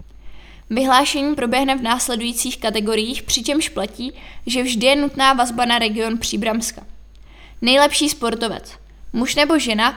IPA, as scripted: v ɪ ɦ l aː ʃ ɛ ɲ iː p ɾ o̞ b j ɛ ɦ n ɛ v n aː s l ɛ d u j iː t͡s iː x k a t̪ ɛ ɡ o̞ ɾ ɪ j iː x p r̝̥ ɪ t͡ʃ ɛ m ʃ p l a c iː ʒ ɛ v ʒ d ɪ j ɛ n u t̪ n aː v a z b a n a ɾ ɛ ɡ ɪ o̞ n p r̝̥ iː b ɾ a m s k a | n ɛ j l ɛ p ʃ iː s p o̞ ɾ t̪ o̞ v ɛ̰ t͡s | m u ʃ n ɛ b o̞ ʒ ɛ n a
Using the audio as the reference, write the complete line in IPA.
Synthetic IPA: v ɪ ɦ l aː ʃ ɛ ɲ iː p ɾ o̞ b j ɛ ɦ n ɛ v n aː s l ɛ d u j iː t͡s iː x k a t̪ ɛ ɡ o̞ ɾ ɪ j iː x p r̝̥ ɪ t͡ʃ ɛ m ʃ p l a c iː ʒ ɛ v ʒ d ɪ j ɛ n u t̪ n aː v a z b a n a ɾ ɛ ɡ ɪ o̞ n p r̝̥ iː b ɾ a m s k a | n ɛ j l ɛ p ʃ iː s p o̞ ɾ t̪ o̞ v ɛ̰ t͡s | m u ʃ n ɛ b o̞ ʒ ɛ n a